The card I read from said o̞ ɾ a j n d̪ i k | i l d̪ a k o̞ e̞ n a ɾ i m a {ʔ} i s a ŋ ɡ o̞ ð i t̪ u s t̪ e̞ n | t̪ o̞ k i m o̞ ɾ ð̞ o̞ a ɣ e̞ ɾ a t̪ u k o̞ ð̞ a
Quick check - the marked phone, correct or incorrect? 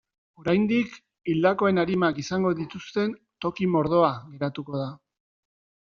incorrect